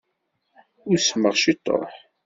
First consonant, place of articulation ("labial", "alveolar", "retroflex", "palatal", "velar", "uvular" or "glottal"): alveolar